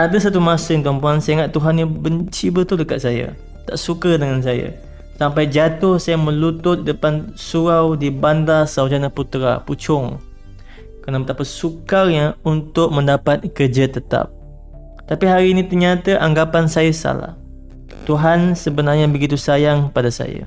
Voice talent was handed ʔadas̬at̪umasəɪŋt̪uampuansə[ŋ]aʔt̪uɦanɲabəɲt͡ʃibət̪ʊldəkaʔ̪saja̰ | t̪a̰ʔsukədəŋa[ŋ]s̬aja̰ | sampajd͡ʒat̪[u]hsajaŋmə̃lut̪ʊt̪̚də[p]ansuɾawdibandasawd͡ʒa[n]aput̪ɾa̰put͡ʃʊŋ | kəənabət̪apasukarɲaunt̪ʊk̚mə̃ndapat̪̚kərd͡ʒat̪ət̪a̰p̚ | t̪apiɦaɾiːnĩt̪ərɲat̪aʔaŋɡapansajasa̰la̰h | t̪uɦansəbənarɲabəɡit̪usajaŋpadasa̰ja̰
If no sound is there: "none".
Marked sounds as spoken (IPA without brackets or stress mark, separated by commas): ŋ, n, ʊ, p, n